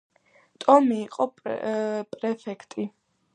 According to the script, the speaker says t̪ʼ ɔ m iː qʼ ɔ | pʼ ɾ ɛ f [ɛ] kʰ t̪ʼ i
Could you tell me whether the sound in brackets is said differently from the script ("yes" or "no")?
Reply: no